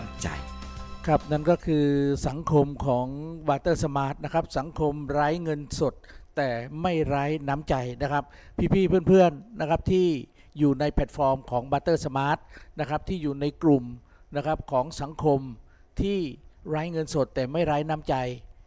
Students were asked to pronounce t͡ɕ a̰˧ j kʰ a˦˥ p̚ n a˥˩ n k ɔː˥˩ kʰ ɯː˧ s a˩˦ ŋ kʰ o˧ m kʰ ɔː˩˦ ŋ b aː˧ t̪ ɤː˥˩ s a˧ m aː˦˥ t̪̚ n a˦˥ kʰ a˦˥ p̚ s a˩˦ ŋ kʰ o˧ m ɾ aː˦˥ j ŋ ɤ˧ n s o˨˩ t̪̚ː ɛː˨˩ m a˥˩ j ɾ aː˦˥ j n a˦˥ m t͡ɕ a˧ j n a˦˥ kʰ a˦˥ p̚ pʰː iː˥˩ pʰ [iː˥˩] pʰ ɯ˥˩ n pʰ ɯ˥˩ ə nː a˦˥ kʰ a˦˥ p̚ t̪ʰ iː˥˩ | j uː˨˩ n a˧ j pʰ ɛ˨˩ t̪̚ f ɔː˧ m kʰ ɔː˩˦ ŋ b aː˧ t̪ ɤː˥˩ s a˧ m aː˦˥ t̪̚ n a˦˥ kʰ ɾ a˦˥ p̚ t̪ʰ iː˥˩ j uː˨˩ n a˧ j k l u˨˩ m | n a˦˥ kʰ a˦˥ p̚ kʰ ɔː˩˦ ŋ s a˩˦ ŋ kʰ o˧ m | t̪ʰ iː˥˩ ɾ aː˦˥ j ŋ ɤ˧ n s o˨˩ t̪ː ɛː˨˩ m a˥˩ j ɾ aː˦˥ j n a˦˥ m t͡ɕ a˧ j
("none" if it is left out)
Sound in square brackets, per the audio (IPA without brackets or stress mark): iː˥˩